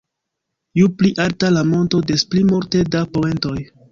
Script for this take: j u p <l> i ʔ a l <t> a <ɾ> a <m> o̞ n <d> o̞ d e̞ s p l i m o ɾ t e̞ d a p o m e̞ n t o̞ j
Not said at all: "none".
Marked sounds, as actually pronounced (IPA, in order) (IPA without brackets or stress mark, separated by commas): l, t, l, m, t